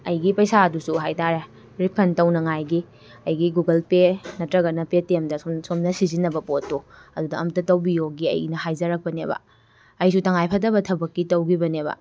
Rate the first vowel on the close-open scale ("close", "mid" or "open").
open